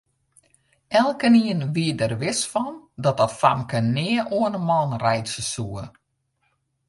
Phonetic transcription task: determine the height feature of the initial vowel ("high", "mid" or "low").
mid